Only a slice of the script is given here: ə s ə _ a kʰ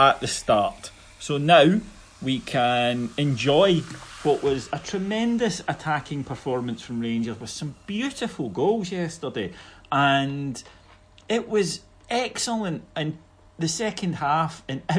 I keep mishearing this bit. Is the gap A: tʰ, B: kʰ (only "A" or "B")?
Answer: A